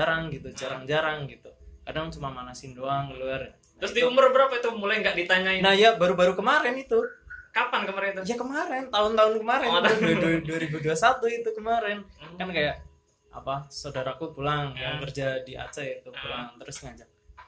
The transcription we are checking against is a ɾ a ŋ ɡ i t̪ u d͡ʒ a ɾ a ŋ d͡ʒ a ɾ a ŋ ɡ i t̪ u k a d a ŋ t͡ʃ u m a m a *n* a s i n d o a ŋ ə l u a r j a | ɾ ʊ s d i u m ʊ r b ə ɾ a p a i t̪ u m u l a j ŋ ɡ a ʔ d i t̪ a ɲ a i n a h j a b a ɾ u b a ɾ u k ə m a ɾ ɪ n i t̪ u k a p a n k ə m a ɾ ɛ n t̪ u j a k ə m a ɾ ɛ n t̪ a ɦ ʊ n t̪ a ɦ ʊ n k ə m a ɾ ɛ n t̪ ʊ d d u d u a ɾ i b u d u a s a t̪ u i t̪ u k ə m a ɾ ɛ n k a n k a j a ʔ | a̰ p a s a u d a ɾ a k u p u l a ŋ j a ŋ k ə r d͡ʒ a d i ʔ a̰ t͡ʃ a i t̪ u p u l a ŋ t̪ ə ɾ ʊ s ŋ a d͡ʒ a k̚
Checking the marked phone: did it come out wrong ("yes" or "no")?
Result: no